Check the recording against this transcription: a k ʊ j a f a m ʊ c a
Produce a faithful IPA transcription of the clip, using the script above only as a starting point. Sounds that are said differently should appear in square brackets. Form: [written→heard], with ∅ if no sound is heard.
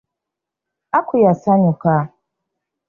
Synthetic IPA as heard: a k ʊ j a [f→s] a [m→ɲ] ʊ [c→k] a